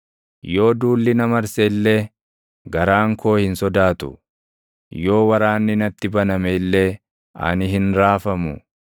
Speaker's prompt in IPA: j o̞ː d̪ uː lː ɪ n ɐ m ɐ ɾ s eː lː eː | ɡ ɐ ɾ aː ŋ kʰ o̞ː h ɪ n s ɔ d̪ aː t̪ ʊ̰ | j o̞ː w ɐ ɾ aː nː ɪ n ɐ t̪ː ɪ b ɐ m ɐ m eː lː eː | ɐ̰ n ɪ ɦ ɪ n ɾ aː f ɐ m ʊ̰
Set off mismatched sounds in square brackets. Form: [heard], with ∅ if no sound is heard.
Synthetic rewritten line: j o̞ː d̪ uː lː ɪ n ɐ m ɐ ɾ s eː lː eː | ɡ ɐ ɾ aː ŋ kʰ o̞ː h ɪ n s ɔ d̪ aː t̪ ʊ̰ | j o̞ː w ɐ ɾ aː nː ɪ n ɐ t̪ː ɪ b ɐ [n] ɐ m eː lː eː | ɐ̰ n ɪ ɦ ɪ n ɾ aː f ɐ m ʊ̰